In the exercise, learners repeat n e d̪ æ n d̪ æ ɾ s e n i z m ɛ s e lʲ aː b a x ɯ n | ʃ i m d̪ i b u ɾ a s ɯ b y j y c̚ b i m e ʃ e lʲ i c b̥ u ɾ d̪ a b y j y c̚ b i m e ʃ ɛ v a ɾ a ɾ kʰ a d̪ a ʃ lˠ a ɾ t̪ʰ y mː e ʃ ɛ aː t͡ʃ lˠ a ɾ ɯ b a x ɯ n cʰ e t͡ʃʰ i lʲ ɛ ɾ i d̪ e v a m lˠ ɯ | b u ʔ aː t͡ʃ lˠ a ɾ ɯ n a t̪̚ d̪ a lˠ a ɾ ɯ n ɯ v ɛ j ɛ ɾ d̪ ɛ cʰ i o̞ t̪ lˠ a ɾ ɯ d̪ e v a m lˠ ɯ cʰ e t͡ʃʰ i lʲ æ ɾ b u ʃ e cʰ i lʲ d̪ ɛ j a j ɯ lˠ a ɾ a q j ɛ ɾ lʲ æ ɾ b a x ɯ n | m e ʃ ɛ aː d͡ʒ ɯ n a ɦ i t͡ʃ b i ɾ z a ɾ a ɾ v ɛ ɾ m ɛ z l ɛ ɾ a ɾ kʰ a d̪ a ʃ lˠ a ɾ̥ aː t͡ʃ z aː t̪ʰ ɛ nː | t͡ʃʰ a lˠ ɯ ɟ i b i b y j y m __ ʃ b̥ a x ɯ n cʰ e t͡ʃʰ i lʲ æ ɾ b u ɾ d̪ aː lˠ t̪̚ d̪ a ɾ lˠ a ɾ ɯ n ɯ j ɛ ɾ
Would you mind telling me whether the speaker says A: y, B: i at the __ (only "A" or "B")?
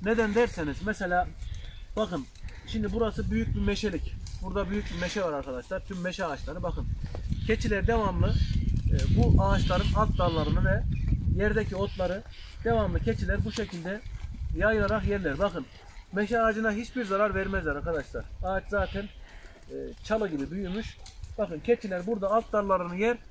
A